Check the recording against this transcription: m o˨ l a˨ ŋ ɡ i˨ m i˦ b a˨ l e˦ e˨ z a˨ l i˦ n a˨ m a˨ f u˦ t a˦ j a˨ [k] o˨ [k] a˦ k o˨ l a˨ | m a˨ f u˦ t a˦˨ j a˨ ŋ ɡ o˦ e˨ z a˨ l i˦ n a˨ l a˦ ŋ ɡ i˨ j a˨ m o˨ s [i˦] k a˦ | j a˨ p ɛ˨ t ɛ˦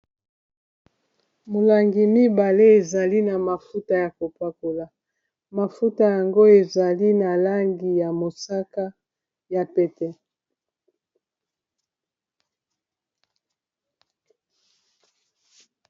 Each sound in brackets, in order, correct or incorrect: correct, incorrect, incorrect

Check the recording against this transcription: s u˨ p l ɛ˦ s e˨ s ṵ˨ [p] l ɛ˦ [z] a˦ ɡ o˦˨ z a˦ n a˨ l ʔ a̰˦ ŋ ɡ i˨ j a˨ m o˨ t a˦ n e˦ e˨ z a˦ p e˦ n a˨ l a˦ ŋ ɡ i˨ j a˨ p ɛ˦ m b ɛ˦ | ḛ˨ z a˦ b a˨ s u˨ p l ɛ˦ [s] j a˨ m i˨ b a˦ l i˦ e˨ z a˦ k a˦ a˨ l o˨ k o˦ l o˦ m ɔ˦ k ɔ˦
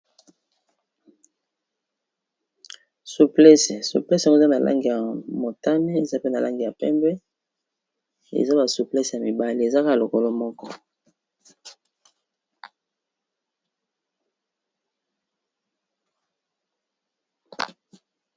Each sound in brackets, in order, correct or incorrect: correct, incorrect, correct

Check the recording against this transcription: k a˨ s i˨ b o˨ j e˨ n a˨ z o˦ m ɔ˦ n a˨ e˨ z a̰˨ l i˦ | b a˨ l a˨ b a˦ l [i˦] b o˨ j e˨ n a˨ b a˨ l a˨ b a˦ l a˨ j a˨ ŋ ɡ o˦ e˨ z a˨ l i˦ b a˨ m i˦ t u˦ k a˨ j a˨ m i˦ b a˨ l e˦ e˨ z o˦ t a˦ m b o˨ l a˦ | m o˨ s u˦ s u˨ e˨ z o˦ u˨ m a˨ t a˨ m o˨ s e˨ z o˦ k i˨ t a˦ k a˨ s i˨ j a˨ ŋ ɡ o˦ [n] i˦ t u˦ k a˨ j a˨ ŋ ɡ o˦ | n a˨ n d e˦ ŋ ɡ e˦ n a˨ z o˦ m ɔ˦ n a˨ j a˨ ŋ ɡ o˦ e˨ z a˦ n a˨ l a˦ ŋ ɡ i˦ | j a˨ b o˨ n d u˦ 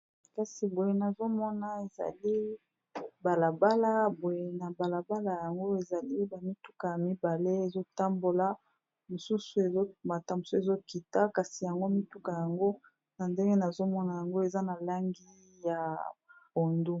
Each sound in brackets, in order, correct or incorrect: incorrect, incorrect

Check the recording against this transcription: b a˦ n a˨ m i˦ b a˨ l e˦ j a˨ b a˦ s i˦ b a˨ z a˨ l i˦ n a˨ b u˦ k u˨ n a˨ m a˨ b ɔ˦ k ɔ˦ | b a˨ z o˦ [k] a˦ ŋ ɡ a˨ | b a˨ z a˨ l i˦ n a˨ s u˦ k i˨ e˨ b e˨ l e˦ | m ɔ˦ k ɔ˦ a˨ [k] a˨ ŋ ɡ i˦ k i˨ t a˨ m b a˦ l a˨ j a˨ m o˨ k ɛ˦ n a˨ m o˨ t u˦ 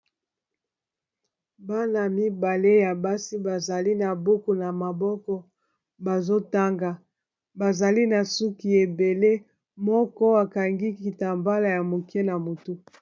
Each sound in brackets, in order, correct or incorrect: incorrect, correct

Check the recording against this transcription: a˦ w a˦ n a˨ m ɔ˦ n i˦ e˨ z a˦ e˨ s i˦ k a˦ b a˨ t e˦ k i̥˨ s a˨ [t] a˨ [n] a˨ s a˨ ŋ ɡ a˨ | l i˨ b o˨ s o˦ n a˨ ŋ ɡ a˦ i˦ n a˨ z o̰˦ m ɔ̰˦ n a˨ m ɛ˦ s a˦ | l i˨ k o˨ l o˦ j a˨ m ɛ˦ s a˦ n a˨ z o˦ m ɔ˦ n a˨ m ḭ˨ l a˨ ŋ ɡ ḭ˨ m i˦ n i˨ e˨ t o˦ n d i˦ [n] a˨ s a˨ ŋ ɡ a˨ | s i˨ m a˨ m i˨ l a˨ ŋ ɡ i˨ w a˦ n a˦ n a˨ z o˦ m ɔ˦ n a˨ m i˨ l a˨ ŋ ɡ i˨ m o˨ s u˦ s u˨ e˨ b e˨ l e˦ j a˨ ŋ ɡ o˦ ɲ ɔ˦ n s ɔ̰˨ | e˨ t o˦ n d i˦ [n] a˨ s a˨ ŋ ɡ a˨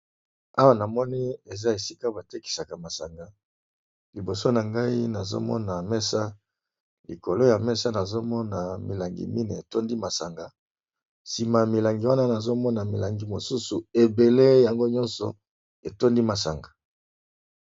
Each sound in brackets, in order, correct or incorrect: incorrect, incorrect, incorrect, incorrect

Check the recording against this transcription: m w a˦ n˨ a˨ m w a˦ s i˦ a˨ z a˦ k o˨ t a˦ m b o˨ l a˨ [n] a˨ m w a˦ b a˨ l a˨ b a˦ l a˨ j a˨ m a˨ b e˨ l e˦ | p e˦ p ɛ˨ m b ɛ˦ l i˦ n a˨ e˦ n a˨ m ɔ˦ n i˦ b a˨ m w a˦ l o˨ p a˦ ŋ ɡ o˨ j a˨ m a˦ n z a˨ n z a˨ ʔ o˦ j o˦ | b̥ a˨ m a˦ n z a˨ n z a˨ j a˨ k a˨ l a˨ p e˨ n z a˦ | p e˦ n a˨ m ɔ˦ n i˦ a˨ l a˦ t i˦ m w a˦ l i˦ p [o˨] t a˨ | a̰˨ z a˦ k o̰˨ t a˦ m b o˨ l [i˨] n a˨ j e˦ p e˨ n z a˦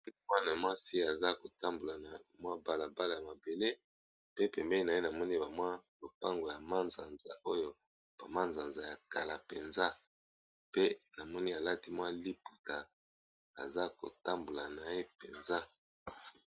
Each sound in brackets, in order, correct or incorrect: correct, incorrect, incorrect

